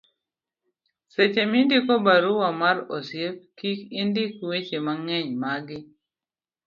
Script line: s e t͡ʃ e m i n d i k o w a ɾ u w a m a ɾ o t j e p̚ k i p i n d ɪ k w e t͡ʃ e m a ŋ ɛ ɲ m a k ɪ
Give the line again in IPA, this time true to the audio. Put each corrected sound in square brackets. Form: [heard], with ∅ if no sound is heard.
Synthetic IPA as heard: s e t͡ʃ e m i n d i k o [b] a ɾ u w a m a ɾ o [s] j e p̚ k i [k] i n d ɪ k w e t͡ʃ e m a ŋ ɛ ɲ m a [ɡ] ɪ